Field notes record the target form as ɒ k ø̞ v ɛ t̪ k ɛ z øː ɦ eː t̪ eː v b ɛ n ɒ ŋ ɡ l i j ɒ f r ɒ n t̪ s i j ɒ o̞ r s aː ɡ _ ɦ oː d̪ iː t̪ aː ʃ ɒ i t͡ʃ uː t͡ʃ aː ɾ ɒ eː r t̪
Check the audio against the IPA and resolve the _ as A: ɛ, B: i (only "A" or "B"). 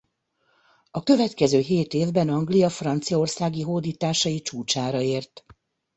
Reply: B